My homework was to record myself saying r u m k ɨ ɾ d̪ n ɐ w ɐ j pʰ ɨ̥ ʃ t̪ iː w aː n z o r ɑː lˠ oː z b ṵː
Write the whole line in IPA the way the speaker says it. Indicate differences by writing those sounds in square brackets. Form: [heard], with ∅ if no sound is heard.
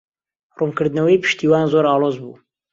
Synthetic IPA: r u m k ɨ ɾ d̪ n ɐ w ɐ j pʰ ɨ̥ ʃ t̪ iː w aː n z o [ɾ] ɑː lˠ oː z b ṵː